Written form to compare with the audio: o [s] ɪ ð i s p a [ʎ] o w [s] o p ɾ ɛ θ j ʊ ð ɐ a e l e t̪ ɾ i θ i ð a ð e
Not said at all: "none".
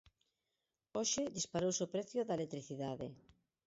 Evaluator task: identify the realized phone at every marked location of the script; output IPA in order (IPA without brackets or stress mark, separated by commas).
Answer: ʃ, ɾ, s